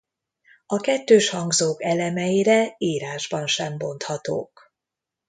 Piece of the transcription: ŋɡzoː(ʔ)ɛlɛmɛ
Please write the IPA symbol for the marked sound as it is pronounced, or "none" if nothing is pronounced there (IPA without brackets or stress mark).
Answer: k